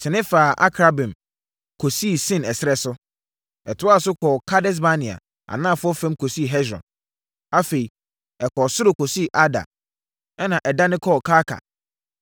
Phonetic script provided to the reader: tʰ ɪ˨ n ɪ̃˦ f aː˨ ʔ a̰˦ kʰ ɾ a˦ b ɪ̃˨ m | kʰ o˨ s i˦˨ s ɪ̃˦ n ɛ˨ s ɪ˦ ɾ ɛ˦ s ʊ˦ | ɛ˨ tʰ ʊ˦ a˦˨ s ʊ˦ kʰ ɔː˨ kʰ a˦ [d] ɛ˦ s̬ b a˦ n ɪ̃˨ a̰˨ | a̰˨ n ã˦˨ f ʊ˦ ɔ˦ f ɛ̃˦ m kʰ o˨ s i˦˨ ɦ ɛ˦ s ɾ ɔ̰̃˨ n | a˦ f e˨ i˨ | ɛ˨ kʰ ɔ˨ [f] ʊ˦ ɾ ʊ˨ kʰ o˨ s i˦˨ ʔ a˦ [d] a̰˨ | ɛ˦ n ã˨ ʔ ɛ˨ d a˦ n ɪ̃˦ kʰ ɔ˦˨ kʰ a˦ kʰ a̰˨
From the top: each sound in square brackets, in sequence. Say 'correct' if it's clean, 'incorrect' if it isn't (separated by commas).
correct, incorrect, correct